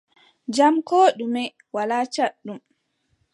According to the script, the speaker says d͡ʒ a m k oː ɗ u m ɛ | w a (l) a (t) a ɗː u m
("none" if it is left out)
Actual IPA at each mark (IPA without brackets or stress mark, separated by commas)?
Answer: l, t͡ʃ